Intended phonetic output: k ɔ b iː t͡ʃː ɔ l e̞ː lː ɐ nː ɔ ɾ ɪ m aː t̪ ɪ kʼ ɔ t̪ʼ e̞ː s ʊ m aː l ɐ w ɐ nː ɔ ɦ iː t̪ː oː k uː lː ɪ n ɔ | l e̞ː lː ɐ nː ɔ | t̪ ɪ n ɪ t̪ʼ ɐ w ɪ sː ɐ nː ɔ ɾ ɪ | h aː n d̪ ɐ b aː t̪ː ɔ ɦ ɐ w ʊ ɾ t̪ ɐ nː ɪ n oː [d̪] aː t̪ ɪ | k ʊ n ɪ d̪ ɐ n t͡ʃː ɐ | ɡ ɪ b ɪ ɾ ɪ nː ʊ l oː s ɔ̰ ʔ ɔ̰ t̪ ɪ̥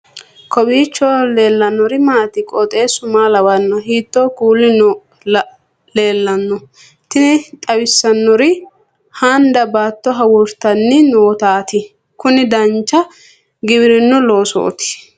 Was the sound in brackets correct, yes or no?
no